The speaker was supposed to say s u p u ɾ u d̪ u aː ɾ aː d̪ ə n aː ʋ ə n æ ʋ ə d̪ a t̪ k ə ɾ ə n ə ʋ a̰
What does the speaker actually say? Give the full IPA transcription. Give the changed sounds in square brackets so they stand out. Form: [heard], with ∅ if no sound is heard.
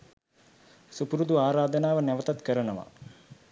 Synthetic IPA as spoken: s u p u ɾ u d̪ u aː ɾ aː d̪ ə n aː ʋ ə n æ ʋ ə [t̪] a t̪ k ə ɾ ə n ə ʋ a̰